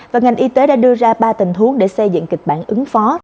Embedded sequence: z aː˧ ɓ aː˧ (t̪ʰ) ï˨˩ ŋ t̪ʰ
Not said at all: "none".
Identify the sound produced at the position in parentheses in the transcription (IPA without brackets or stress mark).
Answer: t̪